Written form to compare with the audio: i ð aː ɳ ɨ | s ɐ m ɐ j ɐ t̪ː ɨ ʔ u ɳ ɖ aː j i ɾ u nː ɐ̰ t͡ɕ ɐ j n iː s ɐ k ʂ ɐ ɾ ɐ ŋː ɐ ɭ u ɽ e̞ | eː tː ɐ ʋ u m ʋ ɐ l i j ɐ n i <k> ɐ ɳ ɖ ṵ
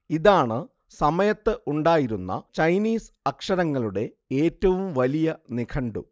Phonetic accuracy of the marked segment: incorrect: kʰ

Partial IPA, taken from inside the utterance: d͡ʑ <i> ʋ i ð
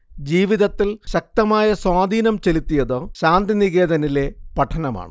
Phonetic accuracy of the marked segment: incorrect: iː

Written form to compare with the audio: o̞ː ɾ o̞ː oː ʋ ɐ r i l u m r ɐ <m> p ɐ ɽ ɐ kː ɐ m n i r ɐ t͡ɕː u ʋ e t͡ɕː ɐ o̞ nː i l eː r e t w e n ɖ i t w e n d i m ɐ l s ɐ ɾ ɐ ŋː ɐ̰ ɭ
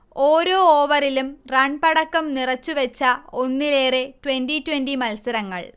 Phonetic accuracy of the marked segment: incorrect: ɳ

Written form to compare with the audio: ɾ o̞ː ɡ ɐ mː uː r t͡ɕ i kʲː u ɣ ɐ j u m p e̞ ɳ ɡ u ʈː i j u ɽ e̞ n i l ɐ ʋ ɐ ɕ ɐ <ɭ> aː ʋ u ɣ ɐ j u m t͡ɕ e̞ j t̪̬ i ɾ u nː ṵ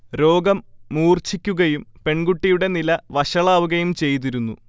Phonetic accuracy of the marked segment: correct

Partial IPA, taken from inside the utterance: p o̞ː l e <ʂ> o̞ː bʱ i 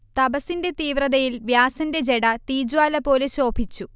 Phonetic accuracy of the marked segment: incorrect: ɕ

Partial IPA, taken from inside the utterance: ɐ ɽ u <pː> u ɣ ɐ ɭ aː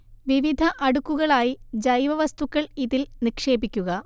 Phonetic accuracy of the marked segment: incorrect: kː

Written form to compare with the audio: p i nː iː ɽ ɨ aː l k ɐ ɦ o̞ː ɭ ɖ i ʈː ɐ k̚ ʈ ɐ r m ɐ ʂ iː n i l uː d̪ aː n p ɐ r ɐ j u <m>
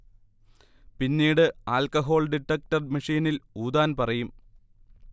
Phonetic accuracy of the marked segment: correct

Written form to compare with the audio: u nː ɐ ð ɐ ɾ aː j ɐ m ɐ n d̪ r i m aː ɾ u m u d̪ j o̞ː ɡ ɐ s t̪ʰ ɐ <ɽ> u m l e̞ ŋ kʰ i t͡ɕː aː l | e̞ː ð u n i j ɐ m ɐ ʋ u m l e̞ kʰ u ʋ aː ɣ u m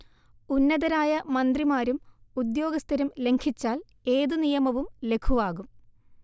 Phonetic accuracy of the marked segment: incorrect: ɾ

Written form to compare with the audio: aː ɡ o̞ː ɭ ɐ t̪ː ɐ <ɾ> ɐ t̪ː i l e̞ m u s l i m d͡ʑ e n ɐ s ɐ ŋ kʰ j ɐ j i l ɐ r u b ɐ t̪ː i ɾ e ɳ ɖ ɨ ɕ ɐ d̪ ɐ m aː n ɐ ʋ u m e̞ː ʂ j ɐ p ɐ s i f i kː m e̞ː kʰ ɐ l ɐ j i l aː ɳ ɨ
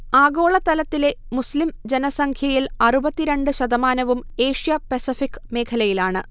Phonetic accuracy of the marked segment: incorrect: l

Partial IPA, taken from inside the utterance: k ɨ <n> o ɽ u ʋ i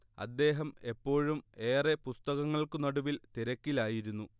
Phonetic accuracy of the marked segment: correct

